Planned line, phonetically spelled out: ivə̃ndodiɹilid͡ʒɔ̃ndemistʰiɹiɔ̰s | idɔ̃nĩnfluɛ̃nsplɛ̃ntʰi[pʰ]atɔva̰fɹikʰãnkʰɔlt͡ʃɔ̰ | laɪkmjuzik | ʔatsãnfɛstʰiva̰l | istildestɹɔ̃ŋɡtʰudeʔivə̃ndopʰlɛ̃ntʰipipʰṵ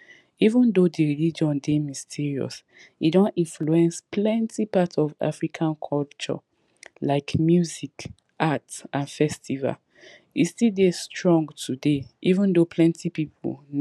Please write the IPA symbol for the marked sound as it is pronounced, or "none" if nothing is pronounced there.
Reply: p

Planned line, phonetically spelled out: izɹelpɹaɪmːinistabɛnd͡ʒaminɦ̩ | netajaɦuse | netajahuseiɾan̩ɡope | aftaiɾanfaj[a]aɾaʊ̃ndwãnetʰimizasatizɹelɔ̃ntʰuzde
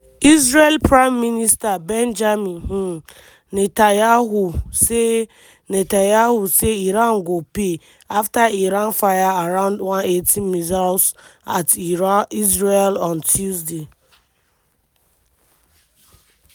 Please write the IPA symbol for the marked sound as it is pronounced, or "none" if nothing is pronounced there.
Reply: a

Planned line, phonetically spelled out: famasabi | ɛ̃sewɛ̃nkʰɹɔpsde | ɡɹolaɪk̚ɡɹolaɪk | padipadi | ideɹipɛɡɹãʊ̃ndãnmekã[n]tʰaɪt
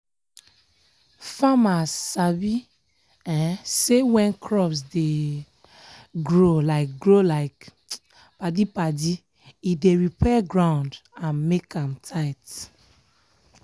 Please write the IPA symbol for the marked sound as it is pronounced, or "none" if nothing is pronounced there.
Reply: m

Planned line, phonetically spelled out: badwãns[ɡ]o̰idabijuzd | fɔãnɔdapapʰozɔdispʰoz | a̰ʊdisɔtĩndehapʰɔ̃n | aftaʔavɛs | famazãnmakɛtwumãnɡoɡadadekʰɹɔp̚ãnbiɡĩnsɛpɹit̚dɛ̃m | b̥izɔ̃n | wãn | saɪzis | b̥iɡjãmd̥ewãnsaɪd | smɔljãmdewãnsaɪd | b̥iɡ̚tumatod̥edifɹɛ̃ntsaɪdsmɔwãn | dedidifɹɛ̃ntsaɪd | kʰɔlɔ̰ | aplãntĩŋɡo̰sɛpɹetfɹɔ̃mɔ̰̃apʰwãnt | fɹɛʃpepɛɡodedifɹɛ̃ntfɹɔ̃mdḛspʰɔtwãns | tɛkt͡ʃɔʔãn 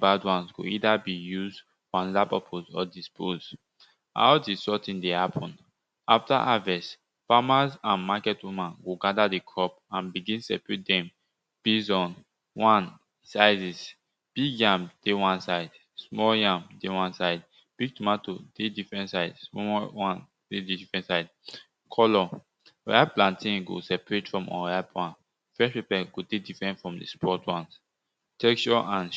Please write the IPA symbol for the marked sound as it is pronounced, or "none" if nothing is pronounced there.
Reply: ɡ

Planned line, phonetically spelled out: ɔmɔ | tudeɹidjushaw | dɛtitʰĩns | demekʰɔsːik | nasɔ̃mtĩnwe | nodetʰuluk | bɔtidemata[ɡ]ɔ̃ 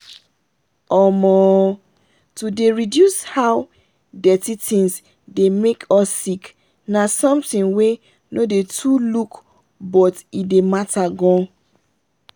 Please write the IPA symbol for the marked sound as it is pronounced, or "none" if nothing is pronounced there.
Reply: ɡ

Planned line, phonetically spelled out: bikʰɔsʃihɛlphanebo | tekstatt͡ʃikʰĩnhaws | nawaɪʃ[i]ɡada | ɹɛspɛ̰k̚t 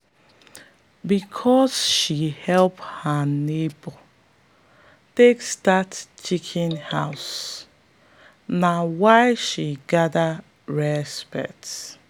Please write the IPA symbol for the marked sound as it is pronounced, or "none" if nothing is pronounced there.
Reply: i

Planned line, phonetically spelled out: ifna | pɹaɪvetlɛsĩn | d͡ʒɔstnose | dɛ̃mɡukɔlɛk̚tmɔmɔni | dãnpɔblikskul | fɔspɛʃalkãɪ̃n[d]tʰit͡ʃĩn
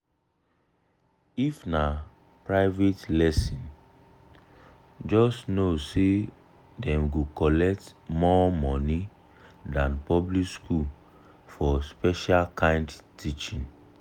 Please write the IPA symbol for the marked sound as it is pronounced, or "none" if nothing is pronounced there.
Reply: d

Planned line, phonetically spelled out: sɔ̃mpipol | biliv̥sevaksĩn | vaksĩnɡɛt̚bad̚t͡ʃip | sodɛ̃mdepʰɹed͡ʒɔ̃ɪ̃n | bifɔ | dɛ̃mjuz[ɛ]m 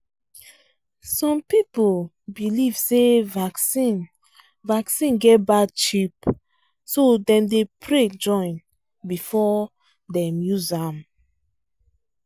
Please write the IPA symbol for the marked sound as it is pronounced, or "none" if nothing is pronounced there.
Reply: a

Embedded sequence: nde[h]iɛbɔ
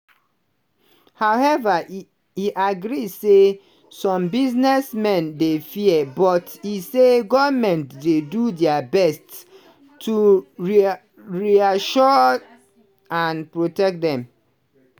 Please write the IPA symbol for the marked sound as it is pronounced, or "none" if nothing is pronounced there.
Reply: f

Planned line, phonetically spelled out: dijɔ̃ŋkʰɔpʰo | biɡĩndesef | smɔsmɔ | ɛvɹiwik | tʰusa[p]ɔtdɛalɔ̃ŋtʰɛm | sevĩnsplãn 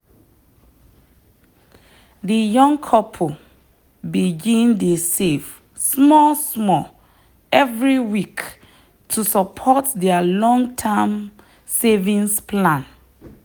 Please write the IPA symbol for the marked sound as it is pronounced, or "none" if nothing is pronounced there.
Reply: pʰ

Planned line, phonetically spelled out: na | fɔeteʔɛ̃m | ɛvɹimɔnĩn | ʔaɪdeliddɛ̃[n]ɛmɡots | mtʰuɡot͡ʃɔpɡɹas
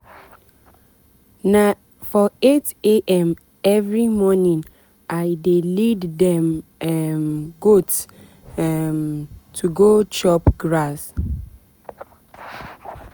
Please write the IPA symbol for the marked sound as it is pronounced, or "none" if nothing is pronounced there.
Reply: m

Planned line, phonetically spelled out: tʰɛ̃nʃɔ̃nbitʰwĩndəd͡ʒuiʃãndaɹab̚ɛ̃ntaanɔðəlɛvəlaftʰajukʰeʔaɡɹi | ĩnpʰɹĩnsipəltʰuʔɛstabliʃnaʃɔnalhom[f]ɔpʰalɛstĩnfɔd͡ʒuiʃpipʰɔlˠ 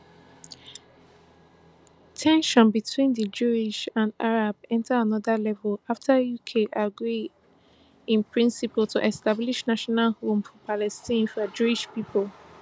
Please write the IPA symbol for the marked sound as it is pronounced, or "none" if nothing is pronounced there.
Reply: f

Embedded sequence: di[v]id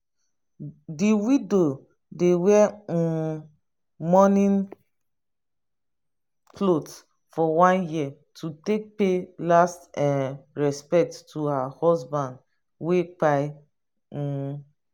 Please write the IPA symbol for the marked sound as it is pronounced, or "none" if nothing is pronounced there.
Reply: w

